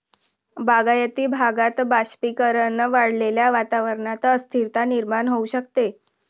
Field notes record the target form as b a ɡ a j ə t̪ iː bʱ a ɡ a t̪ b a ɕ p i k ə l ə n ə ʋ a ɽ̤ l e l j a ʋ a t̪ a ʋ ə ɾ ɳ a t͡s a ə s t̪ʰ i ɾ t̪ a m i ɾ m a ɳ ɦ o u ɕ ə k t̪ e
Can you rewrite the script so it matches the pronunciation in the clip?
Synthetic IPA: b a ɡ a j ə t̪ iː bʱ a ɡ a t̪ b a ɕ p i k ə ɾ ə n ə ʋ a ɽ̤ l e l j a ʋ a t̪ a ʋ ə ɾ ɳ a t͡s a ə s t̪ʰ i ɾ t̪ a n i ɾ m a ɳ ɦ o u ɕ ə k t̪ e